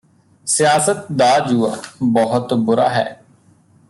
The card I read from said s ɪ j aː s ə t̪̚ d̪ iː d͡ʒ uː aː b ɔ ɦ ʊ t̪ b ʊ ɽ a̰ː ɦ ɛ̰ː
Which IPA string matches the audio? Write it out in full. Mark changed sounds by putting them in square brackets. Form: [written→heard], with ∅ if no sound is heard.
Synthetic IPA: s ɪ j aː s ə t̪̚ d̪ [iː→aː] d͡ʒ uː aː b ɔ ɦ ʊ t̪ b ʊ [ɽ→ɾ] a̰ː ɦ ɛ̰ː